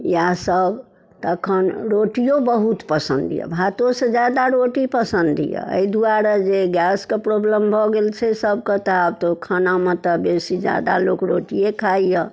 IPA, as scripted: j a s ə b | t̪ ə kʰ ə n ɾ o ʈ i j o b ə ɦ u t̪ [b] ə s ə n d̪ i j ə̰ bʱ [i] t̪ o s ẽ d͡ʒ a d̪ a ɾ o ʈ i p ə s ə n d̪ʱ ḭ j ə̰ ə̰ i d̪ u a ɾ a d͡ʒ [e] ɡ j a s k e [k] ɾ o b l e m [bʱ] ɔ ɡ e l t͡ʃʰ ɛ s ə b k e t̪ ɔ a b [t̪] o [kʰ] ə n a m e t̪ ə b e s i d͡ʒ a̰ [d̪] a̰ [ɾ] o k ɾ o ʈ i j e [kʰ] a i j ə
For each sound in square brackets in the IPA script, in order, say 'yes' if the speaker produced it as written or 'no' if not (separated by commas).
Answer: no, no, yes, no, yes, yes, yes, yes, no, yes